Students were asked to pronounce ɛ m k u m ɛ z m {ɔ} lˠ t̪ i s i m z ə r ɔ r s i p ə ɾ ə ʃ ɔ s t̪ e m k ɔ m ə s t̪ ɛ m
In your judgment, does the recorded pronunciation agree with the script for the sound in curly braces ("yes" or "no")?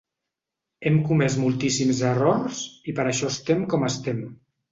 no